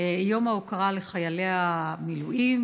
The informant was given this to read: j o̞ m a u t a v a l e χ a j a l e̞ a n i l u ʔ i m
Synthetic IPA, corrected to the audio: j o̞ m a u k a ʁ a l e χ a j a l e̞ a m i l u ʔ i m